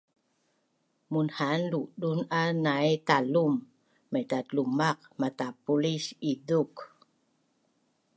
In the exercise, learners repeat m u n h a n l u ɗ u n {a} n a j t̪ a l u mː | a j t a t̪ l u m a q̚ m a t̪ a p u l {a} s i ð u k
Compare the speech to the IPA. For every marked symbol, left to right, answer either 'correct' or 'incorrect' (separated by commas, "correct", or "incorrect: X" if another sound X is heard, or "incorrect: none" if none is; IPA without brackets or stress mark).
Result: correct, incorrect: i